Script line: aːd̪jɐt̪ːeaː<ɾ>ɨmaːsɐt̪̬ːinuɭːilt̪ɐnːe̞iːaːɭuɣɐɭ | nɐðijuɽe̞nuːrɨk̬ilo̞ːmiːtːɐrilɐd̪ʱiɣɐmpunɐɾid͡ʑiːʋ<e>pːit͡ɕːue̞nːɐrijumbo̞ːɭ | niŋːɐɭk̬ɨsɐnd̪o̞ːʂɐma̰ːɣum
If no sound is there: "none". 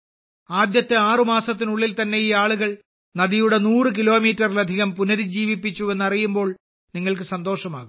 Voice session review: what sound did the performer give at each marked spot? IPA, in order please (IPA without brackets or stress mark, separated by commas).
r, i